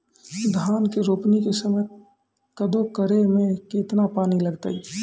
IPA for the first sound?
d̪ʱ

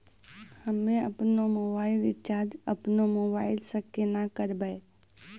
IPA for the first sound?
h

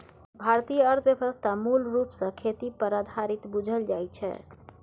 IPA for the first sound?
bʱ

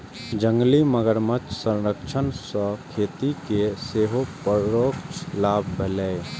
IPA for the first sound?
d͡ʒ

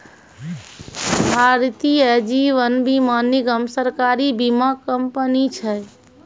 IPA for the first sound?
bʱ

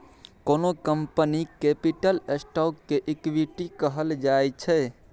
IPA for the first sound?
k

